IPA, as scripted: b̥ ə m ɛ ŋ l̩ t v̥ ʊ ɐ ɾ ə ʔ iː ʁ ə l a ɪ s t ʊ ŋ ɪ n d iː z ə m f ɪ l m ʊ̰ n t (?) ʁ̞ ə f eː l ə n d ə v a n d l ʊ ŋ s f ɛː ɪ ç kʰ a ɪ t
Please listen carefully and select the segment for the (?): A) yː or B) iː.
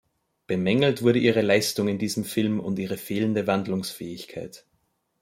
B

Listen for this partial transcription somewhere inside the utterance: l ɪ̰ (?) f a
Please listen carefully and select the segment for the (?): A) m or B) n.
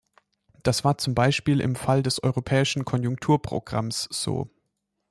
A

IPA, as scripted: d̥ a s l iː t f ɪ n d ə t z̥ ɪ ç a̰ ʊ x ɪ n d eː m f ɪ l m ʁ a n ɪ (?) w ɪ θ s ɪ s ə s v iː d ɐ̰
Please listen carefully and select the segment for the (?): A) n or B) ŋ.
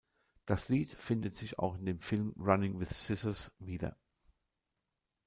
B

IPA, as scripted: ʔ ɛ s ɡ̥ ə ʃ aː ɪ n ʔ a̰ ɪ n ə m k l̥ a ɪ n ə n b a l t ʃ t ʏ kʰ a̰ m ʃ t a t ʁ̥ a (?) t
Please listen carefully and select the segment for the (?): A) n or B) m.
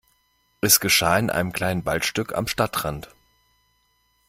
A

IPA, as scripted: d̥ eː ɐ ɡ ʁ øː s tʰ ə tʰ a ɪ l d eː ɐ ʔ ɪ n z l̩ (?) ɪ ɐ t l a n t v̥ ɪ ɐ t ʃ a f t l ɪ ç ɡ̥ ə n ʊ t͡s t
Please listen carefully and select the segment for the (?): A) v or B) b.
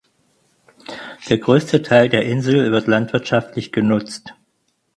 A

